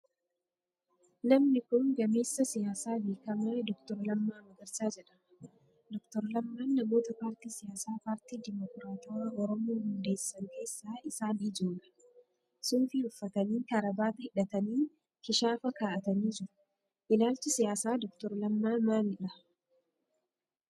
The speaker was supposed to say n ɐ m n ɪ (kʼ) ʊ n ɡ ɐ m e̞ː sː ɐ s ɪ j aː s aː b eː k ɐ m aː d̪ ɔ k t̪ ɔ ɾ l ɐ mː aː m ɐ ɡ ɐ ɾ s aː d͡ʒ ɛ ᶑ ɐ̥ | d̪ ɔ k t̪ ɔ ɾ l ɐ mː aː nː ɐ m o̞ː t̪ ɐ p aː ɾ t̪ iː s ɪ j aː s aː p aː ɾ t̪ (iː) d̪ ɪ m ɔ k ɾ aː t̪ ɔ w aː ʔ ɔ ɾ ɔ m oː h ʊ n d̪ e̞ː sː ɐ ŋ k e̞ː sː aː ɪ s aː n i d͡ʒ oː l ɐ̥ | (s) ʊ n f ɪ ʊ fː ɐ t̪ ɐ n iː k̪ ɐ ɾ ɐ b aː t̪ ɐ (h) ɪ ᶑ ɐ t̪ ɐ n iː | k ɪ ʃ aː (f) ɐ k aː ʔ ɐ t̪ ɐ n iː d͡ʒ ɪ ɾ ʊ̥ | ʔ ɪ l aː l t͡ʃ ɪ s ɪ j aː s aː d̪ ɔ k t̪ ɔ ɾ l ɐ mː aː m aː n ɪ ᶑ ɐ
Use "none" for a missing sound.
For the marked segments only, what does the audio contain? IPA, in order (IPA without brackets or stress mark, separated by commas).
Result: k, iː, s, h, f